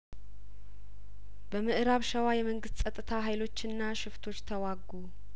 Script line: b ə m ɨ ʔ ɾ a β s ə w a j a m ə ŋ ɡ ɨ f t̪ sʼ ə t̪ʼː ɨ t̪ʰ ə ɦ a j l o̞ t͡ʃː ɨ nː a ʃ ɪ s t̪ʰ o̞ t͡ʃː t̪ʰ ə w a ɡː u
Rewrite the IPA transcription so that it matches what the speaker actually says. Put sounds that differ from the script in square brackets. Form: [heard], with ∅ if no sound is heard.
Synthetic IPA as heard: b ə m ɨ ʔ ɾ a β [ʃ] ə w a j [ɛ] m ə ŋ ɡ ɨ [s] t̪ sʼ ə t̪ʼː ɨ t̪ʰ [a] ɦ a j l o̞ t͡ʃː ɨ nː a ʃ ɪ [f] t̪ʰ o̞ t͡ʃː t̪ʰ ə w a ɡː u